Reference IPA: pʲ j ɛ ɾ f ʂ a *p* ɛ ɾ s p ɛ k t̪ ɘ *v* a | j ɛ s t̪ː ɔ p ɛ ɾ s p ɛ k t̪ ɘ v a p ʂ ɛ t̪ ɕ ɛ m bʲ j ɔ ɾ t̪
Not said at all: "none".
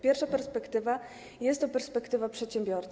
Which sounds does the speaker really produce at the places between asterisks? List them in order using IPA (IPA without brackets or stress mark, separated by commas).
p, v